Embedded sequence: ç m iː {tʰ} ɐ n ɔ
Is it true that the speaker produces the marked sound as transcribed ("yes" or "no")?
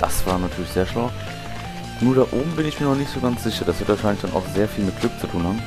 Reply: no